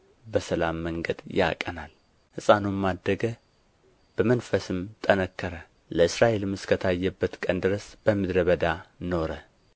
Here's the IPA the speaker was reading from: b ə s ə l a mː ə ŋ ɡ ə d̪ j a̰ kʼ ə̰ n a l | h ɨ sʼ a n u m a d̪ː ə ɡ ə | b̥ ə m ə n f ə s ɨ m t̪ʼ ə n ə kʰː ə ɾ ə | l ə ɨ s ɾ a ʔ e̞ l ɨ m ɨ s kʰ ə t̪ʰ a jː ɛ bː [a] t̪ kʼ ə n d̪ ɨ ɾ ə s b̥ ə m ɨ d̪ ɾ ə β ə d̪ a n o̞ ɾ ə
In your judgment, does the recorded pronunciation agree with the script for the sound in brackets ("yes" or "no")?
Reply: no